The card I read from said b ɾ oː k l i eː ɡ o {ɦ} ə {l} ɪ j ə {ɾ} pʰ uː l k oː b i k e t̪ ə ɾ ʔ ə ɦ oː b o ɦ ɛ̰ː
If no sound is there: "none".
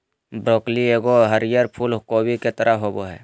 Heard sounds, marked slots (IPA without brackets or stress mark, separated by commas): ɦ, ɾ, ɾ